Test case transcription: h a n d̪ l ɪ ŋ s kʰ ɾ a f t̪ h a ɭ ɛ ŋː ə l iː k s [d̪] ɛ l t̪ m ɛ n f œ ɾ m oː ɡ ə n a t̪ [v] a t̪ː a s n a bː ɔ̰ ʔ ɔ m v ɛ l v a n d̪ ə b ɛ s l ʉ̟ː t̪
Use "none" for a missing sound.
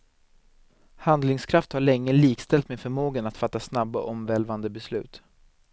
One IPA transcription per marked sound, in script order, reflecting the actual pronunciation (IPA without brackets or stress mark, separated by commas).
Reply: t̪, f